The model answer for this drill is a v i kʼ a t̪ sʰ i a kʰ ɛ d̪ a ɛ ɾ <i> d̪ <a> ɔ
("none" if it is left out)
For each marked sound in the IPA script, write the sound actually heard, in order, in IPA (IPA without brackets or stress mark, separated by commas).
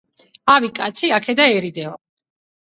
i, ɛ